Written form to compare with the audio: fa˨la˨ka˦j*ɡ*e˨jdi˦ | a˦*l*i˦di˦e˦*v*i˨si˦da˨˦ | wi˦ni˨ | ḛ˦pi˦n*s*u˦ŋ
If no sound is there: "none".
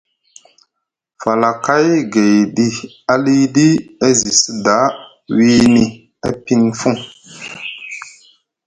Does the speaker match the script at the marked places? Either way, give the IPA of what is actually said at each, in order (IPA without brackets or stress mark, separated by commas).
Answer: ɡ, l, z, f